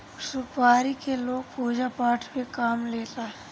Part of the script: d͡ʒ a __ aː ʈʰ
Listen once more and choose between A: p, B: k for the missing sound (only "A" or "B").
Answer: A